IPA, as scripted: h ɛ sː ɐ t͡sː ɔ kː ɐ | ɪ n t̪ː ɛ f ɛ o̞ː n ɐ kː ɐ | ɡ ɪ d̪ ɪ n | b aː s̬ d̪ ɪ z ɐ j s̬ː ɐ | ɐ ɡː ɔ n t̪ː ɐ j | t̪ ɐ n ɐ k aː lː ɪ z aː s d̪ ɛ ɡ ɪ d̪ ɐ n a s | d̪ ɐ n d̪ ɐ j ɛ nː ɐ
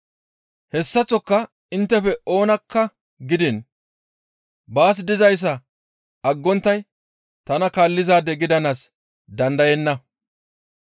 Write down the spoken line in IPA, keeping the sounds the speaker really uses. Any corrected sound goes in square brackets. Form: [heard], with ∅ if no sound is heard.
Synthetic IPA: h ɛ sː ɐ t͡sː ɔ kː ɐ | ɪ n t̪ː ɛ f ɛ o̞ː n ɐ kː ɐ | ɡ ɪ d̪ ɪ n | b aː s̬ d̪ ɪ z ɐ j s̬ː ɐ | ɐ ɡː ɔ n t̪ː ɐ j | t̪ ɐ n ɐ k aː lː ɪ z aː [∅] d̪ ɛ ɡ ɪ d̪ ɐ n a s | d̪ ɐ n d̪ ɐ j ɛ nː ɐ